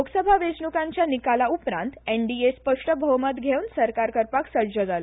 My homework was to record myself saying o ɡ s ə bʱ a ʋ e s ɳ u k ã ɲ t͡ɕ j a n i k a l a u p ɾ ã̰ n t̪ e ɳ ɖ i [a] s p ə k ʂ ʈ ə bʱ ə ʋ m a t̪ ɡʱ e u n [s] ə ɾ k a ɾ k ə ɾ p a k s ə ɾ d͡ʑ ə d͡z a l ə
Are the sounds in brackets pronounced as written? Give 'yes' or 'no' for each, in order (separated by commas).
no, yes